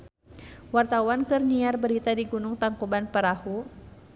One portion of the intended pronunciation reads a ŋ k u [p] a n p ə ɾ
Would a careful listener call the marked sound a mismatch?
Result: yes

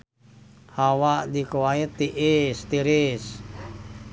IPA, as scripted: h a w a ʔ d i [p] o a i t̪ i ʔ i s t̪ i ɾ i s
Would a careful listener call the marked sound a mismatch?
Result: yes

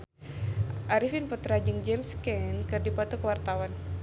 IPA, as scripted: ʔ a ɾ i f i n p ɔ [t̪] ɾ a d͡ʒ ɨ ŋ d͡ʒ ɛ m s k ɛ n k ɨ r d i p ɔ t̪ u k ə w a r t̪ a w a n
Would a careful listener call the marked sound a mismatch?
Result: no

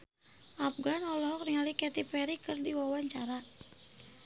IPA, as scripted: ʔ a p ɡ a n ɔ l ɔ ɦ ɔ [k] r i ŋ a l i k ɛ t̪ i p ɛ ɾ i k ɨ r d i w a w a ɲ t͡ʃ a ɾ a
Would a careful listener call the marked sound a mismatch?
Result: no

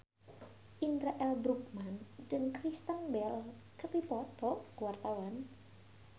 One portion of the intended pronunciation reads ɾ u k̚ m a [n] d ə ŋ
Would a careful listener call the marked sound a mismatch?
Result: no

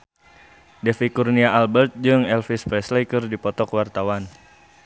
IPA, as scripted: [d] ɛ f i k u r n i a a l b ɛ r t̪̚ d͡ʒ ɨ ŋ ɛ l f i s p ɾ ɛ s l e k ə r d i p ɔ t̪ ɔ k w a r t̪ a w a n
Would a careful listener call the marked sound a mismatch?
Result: no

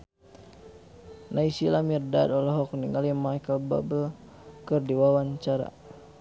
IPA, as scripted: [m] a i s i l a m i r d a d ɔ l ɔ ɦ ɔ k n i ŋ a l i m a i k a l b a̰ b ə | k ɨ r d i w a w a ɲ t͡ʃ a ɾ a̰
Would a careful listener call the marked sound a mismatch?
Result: yes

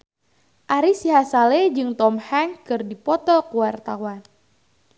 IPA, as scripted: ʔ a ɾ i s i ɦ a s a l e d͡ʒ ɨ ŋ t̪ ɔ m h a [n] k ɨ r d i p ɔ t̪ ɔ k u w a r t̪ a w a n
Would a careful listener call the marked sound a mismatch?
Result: yes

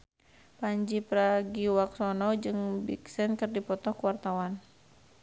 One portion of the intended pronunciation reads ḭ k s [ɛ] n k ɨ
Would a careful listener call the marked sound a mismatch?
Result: no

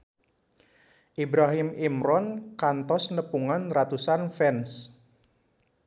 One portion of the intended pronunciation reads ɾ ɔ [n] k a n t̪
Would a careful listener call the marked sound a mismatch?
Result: no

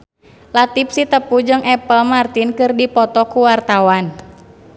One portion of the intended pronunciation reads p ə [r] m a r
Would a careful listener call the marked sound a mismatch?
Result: yes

